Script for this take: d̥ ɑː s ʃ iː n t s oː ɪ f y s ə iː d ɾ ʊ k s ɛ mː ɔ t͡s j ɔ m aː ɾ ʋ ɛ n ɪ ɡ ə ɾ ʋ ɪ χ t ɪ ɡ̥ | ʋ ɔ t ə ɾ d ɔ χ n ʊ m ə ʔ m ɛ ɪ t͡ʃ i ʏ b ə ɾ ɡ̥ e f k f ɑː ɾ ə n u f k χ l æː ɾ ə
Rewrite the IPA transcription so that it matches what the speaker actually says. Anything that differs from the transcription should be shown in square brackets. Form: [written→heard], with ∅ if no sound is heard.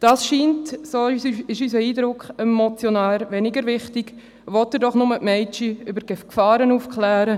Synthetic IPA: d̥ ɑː s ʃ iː n t s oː ɪ [f→ʃ] y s ə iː d ɾ ʊ k [s→χ] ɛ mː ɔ t͡s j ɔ [m→n] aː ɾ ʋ ɛ n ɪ ɡ ə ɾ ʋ ɪ χ t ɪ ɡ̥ | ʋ ɔ t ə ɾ d ɔ χ n ʊ m ə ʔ m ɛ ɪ t͡ʃ i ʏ b ə ɾ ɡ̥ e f k f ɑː ɾ ə n u f k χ l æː ɾ ə